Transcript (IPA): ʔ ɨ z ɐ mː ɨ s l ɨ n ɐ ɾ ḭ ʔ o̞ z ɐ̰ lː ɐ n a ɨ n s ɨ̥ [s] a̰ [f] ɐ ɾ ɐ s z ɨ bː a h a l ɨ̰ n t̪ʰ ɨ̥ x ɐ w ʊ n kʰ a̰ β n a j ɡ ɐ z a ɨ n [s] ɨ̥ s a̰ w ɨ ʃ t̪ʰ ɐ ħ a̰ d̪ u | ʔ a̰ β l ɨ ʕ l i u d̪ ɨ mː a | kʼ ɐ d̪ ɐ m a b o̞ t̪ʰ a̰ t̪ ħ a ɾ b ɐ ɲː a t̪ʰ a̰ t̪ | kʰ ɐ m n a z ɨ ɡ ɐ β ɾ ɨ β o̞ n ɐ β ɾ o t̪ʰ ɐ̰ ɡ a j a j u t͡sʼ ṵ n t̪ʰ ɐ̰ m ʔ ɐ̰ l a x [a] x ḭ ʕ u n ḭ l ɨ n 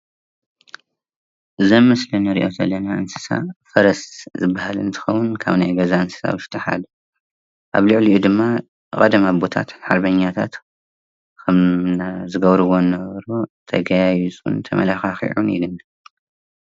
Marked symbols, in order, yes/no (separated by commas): yes, yes, yes, yes